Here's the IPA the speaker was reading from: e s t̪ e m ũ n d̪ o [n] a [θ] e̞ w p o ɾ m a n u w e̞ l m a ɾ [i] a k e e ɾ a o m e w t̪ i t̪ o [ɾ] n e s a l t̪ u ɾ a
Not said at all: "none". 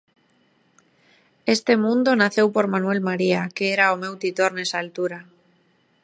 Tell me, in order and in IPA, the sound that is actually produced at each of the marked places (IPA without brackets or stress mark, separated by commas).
n, θ, i, ɾ